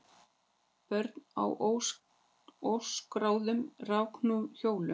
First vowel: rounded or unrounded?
rounded